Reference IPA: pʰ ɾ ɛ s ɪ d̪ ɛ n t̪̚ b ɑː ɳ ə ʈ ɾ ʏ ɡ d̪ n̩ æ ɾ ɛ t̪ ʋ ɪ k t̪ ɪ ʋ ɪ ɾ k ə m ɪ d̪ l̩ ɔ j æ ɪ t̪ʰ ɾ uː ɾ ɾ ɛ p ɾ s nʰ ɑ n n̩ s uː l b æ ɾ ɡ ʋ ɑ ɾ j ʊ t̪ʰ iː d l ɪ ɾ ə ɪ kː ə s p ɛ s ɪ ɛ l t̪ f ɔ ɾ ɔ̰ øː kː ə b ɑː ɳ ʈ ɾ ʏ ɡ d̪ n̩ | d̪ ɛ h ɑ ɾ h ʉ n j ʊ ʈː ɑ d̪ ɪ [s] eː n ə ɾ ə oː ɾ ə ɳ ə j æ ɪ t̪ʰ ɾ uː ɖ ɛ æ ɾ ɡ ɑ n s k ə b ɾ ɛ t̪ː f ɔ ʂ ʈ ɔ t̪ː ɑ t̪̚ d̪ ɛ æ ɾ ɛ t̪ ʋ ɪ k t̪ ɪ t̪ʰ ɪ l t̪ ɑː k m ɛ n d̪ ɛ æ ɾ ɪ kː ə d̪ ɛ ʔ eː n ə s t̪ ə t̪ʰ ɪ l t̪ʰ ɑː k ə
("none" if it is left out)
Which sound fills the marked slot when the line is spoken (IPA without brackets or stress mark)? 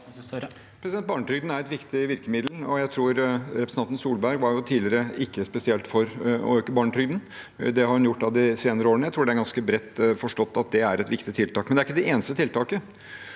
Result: s